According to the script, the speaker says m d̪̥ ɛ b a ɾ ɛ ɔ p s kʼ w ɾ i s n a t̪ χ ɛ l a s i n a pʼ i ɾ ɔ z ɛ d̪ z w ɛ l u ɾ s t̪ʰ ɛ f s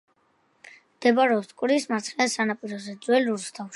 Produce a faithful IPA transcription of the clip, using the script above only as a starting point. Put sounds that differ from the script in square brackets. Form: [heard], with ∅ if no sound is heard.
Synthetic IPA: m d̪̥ ɛ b a ɾ ɛ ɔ p s kʼ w ɾ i s [m] a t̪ χ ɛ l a s [a] n a pʼ i ɾ ɔ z ɛ d̪ z w ɛ l u ɾ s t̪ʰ [a] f [ʃ]